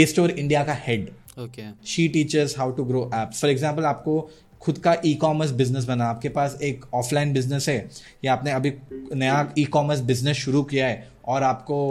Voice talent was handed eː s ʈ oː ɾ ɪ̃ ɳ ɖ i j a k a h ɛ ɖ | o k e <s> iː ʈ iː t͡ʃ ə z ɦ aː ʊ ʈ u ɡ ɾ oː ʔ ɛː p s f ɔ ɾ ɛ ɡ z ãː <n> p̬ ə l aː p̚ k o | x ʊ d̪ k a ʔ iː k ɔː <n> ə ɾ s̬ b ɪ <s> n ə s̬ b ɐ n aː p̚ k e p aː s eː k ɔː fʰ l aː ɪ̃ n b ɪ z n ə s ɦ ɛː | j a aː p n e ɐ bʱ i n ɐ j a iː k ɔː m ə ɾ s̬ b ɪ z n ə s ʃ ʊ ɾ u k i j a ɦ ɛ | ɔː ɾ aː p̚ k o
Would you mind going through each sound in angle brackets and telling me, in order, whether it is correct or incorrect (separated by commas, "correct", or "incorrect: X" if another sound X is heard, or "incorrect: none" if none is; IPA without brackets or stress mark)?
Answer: incorrect: ʃ, incorrect: m, incorrect: m, incorrect: z